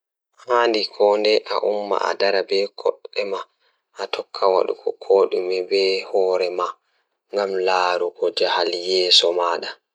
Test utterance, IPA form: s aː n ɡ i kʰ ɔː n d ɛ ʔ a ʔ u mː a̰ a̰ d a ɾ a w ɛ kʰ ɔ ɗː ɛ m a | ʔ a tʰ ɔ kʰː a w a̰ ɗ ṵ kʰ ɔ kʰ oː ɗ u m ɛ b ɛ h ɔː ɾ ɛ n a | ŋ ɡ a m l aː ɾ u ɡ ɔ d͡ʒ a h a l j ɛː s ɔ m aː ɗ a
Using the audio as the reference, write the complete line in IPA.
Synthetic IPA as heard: h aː n d i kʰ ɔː n d ɛ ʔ a ʔ u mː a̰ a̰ d a ɾ a b ɛ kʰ ɔ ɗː ɛ m a | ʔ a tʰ ɔ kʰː a w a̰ ɗ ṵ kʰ ɔ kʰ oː ɗ u m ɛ b ɛ h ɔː ɾ ɛ m a | ŋ ɡ a m l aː ɾ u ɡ ɔ d͡ʒ a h a l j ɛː s ɔ m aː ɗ a